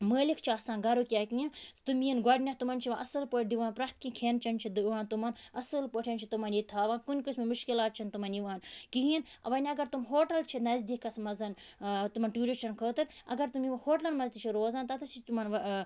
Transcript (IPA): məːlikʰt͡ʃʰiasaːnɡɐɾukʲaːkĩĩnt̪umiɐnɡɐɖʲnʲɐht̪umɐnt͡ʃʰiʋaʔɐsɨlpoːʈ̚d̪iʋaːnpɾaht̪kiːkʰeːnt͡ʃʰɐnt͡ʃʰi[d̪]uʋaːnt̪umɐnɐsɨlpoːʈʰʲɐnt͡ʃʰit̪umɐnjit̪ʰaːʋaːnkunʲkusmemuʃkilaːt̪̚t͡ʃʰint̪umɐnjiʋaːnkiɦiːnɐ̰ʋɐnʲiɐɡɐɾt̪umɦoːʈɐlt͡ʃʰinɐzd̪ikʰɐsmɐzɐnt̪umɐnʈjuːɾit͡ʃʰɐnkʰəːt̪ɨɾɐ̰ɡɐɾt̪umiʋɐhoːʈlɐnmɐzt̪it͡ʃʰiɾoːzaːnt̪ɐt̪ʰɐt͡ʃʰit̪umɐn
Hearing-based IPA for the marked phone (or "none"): d̪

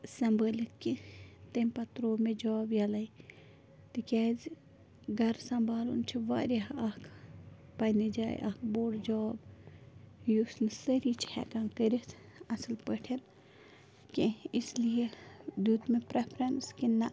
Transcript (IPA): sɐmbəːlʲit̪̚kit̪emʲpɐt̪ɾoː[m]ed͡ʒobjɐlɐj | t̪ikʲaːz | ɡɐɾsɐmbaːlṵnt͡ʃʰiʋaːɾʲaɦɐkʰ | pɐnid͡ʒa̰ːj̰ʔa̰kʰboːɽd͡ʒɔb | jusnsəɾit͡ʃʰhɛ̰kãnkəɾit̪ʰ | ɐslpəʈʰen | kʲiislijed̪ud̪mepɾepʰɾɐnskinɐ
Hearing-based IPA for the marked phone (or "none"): m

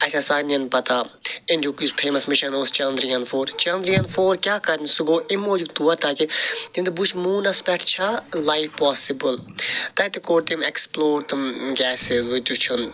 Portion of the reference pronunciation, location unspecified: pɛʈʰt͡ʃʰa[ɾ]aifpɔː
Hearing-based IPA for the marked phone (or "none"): l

